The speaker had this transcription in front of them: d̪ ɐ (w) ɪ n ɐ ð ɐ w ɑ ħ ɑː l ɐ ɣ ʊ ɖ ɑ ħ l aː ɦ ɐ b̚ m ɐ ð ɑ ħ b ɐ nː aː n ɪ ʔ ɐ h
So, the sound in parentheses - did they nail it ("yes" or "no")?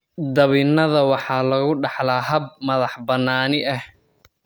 no